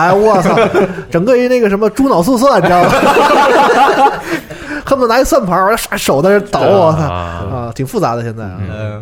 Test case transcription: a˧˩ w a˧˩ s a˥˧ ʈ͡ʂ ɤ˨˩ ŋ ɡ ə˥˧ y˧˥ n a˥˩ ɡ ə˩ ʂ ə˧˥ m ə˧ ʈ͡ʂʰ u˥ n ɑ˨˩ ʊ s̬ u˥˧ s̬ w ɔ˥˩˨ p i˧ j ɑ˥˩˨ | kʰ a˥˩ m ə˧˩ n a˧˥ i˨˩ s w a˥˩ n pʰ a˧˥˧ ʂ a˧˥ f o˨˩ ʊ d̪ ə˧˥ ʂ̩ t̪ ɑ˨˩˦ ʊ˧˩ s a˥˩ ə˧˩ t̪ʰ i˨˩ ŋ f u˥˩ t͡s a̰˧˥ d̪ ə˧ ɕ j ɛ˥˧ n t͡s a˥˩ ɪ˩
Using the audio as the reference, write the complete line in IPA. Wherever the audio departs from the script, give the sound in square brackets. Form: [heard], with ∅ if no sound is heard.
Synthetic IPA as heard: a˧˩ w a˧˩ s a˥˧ ʈ͡ʂ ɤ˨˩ ŋ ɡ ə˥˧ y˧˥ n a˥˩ ɡ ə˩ ʂ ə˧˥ m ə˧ [ʈ͡ʂ] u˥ n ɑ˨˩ ʊ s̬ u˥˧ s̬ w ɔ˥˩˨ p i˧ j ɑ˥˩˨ | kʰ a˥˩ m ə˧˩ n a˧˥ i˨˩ s w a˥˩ n pʰ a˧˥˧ ʂ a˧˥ [ʂ] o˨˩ ʊ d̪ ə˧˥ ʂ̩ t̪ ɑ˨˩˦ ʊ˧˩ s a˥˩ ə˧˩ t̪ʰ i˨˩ ŋ f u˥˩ t͡s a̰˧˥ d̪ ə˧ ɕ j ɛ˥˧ n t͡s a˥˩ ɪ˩